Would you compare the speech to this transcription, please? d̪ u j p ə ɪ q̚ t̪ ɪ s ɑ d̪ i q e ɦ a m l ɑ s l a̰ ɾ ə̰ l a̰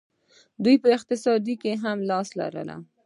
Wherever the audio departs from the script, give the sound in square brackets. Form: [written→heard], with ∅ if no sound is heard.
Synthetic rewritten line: d̪ u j p ə ɪ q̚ t̪ ɪ s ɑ d̪ i [q→k] e ɦ a m l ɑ s l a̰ ɾ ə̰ l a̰